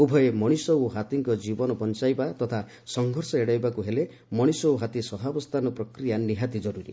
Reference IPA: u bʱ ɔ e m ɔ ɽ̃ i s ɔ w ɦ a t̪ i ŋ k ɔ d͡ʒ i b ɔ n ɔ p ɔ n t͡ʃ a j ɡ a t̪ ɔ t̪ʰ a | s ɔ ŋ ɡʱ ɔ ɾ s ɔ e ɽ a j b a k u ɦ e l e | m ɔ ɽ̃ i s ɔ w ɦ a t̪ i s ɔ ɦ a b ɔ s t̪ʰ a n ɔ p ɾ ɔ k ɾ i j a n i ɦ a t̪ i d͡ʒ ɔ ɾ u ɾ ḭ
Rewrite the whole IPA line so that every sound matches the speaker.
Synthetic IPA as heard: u bʱ ɔ e m ɔ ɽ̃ i s ɔ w ɦ a t̪ i ŋ k ɔ d͡ʒ i b ɔ n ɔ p ɔ n t͡ʃ a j b a t̪ ɔ t̪ʰ a | s ɔ ŋ ɡʱ ɔ ɾ s ɔ e ɽ a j b a k u ɦ e l e | m ɔ ɽ̃ i s ɔ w ɦ a t̪ i s ɔ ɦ a b ɔ s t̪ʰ a n ɔ p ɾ ɔ k ɾ i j a n i ɦ a t̪ i d͡ʒ ɔ ɾ u ɾ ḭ